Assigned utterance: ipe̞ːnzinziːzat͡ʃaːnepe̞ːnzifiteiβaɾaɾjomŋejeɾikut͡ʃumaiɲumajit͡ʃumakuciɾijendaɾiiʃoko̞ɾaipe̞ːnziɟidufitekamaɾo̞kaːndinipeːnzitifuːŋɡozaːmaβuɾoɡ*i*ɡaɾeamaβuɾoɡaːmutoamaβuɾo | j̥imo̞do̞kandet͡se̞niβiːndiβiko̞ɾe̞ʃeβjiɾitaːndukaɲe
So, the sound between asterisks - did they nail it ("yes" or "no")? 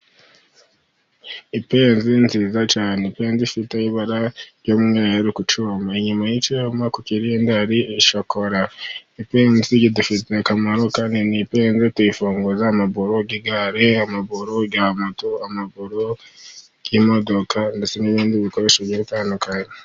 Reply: yes